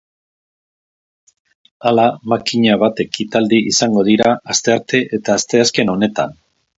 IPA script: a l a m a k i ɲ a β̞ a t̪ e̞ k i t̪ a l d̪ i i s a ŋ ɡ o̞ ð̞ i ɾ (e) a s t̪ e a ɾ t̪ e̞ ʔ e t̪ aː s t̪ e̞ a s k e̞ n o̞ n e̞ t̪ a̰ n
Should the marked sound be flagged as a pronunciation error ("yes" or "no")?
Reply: yes